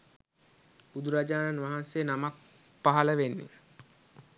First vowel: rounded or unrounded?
rounded